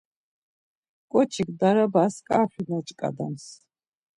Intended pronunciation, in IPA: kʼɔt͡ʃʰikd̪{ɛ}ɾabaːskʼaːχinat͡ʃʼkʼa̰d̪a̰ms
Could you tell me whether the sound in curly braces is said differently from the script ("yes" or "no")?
yes